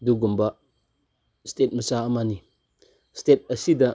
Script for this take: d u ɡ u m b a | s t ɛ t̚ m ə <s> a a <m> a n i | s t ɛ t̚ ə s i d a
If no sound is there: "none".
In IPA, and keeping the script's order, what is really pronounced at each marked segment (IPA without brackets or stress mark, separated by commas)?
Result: s, m